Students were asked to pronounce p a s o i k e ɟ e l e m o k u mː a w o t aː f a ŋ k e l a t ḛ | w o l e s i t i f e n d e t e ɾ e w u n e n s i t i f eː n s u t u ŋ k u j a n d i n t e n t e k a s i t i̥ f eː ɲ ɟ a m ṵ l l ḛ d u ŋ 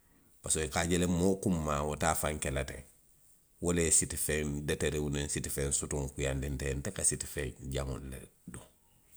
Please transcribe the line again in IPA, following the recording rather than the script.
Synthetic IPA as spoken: p a s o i k a ɟ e l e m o k u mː a w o t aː f a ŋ k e l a t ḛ | w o l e s i t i f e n d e t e ɾ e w u n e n s i t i f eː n s u t u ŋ k u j a n d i n t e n t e k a s i t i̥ f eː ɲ ɟ a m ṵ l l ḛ d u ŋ

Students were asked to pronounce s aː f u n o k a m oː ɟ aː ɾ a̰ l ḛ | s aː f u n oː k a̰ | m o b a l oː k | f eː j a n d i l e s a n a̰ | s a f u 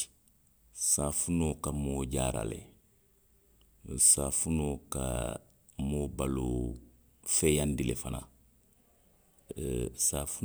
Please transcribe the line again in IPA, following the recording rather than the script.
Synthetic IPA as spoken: s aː f u n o k a m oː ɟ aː ɾ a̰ l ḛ | s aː f u n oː k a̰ | m o b a l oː | f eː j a n d i l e f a n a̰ | s a f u

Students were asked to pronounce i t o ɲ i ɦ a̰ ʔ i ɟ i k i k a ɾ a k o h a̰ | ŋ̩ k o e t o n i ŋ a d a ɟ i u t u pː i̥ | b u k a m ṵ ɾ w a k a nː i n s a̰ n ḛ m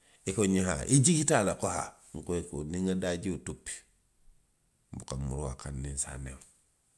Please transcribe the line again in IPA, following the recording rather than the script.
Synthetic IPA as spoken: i k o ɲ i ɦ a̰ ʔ i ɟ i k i t a l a k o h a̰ | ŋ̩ k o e k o n i ŋ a d a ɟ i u t u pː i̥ | b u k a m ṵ ɾ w a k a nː i n s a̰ n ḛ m

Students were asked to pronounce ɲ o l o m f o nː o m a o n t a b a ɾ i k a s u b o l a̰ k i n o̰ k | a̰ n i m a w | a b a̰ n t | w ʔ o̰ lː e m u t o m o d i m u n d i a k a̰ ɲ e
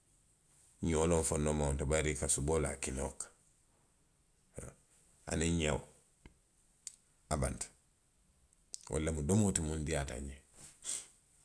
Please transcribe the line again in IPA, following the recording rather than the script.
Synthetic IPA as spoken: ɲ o l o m f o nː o m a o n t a b a ɾ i k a s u b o l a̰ k i n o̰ k | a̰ n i ɲ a w | a b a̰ n t | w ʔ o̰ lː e m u d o m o t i m u n d i a t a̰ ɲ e

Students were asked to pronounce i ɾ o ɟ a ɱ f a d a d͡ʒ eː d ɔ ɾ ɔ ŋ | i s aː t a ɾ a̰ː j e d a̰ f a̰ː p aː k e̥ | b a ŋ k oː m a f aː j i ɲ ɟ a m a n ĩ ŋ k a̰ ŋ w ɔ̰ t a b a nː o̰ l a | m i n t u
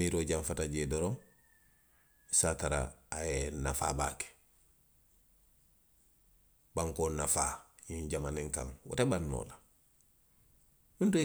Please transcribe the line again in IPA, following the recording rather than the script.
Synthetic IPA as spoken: i ɾ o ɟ a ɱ f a t a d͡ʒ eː d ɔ ɾ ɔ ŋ | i s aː t a ɾ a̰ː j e n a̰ f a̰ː b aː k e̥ | b a ŋ k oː n a f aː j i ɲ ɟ a m a n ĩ ŋ k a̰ ŋ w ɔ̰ t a b a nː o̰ l a | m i n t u

